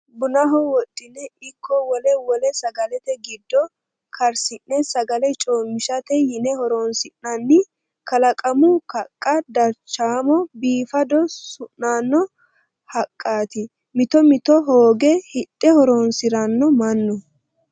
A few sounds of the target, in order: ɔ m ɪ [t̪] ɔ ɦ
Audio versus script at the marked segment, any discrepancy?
no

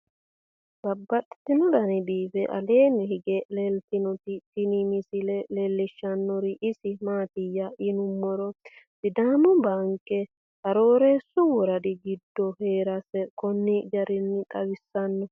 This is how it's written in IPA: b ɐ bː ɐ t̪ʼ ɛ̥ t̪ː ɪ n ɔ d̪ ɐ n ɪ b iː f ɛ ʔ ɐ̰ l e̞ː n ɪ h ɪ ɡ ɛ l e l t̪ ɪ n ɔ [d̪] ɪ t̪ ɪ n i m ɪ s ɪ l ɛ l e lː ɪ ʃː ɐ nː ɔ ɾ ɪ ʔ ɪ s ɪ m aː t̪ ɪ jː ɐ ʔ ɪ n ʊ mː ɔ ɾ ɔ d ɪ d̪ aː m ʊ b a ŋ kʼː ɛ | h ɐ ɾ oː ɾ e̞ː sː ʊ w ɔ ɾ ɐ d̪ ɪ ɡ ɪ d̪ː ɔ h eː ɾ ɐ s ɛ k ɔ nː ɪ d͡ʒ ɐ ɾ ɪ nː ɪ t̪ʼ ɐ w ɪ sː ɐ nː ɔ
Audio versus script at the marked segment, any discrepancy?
yes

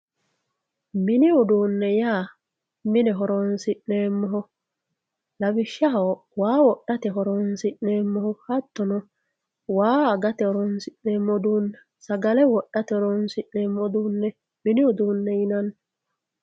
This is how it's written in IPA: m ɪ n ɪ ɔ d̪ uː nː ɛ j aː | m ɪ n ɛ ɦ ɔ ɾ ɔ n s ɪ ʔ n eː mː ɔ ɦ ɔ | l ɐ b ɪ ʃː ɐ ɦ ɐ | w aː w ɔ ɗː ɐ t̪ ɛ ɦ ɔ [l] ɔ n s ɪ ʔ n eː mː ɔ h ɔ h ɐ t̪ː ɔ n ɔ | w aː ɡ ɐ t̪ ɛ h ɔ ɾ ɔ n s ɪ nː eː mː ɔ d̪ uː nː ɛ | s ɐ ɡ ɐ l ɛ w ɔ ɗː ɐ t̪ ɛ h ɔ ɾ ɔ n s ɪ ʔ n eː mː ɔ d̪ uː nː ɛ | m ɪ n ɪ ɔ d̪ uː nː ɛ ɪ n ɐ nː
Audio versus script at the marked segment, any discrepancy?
yes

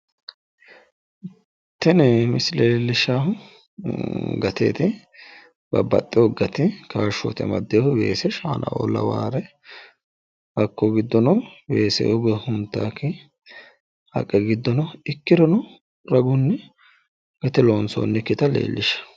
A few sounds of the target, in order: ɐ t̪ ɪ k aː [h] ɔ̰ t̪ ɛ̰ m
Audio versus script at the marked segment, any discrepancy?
yes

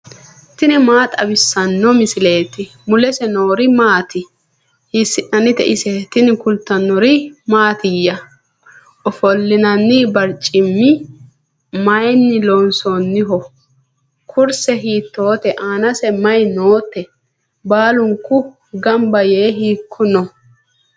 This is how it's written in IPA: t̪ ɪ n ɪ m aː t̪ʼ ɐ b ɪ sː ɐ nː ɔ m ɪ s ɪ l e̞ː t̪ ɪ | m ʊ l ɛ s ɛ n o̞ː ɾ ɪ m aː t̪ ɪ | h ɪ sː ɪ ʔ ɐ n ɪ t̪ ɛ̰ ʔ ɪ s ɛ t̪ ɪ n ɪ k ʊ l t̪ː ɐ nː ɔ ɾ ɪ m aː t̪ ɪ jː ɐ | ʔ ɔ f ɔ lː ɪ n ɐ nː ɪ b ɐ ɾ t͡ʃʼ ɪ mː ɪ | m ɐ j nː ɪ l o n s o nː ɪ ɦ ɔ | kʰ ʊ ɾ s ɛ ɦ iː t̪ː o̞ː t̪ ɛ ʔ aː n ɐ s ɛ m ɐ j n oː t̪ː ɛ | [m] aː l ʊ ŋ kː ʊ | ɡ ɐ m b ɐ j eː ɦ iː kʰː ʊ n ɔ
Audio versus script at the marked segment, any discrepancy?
yes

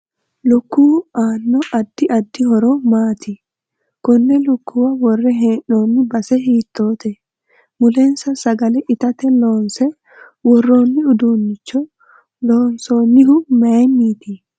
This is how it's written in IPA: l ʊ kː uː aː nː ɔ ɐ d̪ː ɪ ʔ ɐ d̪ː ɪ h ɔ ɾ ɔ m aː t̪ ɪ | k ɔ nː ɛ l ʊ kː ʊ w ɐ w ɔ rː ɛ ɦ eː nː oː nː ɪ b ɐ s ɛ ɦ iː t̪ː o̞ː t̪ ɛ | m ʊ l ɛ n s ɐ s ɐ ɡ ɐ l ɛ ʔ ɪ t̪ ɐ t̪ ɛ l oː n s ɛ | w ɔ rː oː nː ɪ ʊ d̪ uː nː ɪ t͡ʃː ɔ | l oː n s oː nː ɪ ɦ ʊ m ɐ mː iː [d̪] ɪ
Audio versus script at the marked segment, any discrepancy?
yes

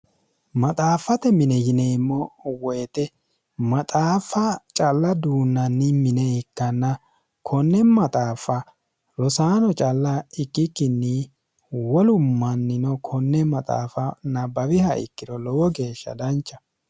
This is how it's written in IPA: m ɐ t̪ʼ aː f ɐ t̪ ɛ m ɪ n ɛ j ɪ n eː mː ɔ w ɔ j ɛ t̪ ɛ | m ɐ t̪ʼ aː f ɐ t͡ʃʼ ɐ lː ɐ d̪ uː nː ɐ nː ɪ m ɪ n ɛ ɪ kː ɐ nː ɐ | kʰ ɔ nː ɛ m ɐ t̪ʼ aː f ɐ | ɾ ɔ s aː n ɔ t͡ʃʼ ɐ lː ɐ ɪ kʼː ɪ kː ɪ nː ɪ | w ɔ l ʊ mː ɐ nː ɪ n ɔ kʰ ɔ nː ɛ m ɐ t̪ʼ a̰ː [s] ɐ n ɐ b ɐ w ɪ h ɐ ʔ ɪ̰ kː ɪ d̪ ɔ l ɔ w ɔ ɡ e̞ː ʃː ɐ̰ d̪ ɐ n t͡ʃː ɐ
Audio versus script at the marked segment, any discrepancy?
yes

